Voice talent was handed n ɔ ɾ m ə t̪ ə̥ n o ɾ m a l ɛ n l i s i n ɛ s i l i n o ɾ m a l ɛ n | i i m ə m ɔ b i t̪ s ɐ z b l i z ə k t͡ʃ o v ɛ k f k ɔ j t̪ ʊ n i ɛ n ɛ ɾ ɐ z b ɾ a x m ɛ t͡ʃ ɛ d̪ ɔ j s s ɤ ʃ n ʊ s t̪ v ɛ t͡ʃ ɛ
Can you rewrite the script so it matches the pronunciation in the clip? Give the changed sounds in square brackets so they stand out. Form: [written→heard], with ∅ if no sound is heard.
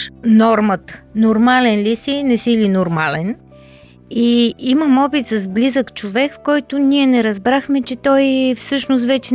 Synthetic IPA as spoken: n ɔ ɾ m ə t̪ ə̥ n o ɾ m a l ɛ n l i s i n ɛ s i l i n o ɾ m a l ɛ n | i i m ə m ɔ b i t̪ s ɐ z b l i z ə k t͡ʃ o v ɛ k f k ɔ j t̪ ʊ n i ɛ n ɛ ɾ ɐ z b ɾ a x m ɛ t͡ʃ ɛ [d̪→t̪] ɔ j [s→f] s ɤ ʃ n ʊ s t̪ v ɛ t͡ʃ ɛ